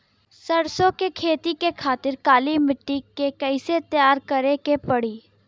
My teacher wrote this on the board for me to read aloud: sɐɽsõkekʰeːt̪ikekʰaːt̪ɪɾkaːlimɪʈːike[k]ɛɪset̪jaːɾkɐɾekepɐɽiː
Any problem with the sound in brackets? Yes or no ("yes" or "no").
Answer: no